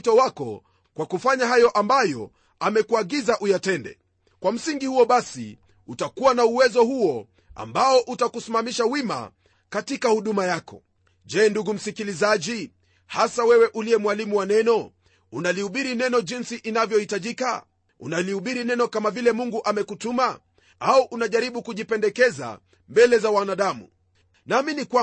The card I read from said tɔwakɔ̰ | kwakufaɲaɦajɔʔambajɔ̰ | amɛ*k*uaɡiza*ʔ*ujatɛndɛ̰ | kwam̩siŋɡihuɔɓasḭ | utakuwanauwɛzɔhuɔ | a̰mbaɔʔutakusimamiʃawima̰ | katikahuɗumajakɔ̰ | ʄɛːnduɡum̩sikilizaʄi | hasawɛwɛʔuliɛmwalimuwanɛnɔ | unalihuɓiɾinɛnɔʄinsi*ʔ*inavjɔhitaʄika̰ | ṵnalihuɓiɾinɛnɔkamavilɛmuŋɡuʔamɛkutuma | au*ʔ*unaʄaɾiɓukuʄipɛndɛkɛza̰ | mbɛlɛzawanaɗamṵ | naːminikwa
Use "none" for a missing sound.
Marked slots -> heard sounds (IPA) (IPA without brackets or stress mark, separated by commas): k, ʔ, ʔ, ʔ